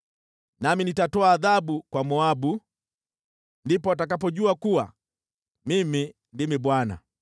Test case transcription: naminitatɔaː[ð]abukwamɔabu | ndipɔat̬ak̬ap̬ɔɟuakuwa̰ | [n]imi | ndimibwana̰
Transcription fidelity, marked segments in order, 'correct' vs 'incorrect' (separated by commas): correct, incorrect